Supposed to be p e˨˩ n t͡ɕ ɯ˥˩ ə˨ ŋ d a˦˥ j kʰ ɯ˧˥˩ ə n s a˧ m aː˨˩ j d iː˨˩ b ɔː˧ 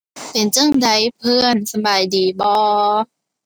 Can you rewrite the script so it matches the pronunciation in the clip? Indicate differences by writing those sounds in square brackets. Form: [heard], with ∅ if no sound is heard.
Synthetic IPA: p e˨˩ n t͡ɕ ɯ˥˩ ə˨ ŋ d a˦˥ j [pʰ] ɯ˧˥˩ ə n s a˧ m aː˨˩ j d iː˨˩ b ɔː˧